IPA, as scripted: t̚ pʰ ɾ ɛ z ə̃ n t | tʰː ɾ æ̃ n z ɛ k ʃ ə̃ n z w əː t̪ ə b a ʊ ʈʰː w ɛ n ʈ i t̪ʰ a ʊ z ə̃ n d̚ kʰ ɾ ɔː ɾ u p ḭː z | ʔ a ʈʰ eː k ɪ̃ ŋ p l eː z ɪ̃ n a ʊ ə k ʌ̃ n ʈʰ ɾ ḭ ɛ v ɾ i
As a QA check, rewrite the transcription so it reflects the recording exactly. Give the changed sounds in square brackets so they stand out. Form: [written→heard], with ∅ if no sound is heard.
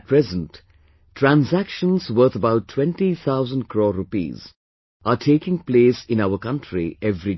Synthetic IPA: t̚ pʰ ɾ ɛ z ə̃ n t | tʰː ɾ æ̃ n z [ɛ→æ] k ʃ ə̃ n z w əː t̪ ə b a ʊ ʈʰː w [ɛ→ɛ̃] n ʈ i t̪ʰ a ʊ z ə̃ n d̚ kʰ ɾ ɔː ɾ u p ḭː z | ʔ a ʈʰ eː k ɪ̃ ŋ p l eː [z→s] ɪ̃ n a ʊ ə k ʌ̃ n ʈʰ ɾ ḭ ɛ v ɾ i